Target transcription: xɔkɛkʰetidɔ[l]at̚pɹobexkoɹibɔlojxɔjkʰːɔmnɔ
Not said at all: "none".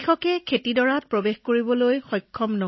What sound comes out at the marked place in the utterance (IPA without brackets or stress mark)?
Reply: ɹ